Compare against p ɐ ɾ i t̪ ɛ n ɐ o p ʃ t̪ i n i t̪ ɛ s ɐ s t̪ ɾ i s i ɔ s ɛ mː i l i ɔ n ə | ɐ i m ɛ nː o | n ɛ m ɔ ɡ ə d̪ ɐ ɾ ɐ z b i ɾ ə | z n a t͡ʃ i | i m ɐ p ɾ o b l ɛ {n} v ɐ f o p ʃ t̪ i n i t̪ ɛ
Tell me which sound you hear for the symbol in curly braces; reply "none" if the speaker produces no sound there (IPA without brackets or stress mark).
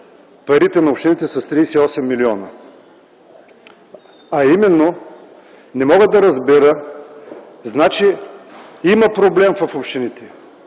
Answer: m